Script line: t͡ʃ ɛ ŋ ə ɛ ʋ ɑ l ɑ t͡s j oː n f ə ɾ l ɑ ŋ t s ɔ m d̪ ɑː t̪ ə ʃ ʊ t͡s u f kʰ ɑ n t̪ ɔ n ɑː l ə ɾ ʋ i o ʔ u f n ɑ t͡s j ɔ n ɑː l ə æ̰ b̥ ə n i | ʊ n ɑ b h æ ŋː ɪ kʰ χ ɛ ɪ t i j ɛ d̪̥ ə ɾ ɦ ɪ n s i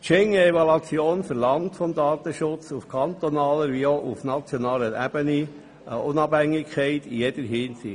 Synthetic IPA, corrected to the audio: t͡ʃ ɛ ŋ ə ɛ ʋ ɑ l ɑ t͡s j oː n f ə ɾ l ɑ ŋ t f ɔ m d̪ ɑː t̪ ə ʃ ʊ t͡s u f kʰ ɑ n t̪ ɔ n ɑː l ə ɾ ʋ i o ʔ u f n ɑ t͡s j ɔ n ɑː l ə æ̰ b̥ ə n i | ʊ n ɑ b h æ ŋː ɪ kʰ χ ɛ ɪ t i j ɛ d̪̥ ə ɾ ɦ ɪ n s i